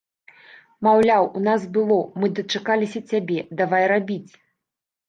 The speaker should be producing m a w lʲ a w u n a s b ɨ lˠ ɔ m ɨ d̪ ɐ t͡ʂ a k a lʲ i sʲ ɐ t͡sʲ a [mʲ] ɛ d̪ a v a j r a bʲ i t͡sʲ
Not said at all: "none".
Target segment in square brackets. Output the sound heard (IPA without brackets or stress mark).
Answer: bʲ